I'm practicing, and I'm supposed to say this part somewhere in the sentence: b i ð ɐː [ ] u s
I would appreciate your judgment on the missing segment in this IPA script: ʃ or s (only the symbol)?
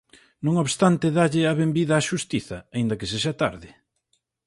ʃ